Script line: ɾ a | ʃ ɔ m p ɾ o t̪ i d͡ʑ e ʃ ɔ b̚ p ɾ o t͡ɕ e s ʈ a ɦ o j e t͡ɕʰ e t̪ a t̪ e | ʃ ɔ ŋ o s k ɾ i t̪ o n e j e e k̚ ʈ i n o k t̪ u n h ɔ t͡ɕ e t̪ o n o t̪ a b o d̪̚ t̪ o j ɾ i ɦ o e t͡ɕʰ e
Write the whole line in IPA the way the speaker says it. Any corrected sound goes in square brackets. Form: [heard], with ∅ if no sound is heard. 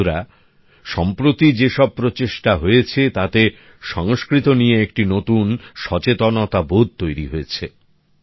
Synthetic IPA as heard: ɾ a | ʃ ɔ m p ɾ o t̪ i d͡ʑ e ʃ ɔ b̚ p ɾ o t͡ɕ e [ʃ] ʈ a ɦ o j e t͡ɕʰ e t̪ a t̪ e | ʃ ɔ ŋ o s k ɾ i t̪ o n [i] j e e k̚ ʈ i n o [∅] t̪ u n [ʃ] ɔ t͡ɕ e t̪ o n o t̪ a b o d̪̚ t̪ o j ɾ i ɦ o e t͡ɕʰ e